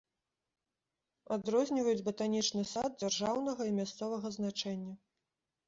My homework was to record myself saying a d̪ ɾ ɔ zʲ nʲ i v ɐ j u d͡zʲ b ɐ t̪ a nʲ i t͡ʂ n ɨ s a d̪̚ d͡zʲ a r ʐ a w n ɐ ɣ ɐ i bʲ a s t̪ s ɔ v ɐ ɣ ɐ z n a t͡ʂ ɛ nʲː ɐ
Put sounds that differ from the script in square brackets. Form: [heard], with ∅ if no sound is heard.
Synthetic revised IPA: a d̪ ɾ ɔ zʲ nʲ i v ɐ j u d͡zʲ b ɐ t̪ a nʲ i t͡ʂ n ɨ s a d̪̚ d͡zʲ a r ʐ a w n ɐ ɣ ɐ i [mʲ] a s t̪ s ɔ v ɐ ɣ ɐ z n a t͡ʂ ɛ nʲː ɐ